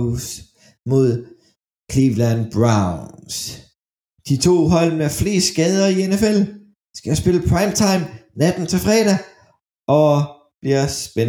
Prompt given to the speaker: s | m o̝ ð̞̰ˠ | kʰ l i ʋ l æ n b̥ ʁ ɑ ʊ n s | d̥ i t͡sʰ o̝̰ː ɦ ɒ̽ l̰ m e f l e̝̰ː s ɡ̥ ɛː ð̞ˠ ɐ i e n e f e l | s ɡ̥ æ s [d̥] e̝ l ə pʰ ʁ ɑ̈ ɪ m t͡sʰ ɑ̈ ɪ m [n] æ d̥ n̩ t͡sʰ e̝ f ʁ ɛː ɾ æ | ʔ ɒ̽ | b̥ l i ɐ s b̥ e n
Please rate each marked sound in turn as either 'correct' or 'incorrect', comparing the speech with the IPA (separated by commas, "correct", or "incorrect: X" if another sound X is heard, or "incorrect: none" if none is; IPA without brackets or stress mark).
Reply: incorrect: b̥, correct